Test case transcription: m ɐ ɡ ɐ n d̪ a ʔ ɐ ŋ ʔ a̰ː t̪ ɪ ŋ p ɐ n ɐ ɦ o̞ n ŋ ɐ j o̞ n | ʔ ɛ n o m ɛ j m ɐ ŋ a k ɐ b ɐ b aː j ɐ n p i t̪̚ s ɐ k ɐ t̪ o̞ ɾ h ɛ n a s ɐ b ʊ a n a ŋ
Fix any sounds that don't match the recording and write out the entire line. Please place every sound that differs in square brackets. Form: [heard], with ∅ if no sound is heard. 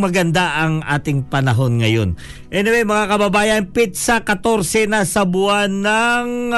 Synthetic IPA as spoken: m ɐ ɡ ɐ n d̪ a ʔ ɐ ŋ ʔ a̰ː t̪ ɪ ŋ p ɐ n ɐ ɦ o̞ n ŋ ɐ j o̞ n | ʔ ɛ n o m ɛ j m ɐ ŋ a k ɐ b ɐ b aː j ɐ n p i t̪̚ s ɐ k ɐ t̪ o̞ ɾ [s] ɛ n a s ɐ b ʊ a n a ŋ